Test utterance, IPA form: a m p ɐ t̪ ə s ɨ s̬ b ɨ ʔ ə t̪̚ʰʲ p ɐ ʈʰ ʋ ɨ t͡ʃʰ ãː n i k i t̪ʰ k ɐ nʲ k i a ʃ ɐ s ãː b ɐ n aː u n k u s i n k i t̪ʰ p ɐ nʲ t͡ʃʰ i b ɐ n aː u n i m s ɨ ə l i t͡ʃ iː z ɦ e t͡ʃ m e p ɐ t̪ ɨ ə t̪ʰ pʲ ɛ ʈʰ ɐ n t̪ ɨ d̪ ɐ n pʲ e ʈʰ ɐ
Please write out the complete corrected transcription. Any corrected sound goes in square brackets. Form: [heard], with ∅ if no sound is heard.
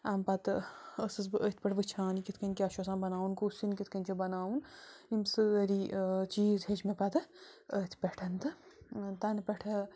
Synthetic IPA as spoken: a m p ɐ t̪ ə s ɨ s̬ b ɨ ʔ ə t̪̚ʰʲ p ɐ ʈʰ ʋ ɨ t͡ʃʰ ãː n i k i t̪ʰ k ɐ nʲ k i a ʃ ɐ s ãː b ɐ n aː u n k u s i n k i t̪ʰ [k] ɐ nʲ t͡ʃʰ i b ɐ n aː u n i m s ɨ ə [ɾ] i t͡ʃ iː z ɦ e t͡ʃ m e p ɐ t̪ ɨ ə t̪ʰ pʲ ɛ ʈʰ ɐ n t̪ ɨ [t̪] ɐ n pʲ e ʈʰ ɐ